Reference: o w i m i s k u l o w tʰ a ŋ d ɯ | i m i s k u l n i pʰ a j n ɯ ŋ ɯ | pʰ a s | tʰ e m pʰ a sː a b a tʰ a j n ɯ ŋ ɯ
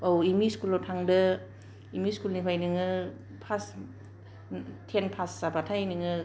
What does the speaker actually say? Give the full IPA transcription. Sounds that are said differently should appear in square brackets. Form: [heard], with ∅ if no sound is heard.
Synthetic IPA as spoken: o w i m i s k u l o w tʰ a ŋ d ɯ | i m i s k u l n i pʰ a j n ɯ ŋ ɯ | pʰ a s | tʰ e [n] pʰ a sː a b a tʰ a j n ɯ ŋ ɯ